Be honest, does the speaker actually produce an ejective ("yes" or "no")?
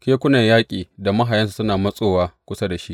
yes